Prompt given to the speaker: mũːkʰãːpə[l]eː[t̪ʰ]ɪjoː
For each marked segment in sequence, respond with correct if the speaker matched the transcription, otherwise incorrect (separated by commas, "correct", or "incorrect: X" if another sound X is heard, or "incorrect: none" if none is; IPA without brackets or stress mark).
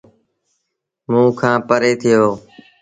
incorrect: ɾ, correct